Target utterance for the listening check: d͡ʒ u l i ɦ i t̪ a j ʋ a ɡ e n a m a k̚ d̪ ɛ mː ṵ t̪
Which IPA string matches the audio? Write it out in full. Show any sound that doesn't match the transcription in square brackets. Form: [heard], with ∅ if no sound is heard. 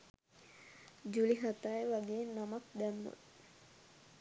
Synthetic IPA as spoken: d͡ʒ u l i ɦ [a] t̪ a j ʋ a ɡ e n a m a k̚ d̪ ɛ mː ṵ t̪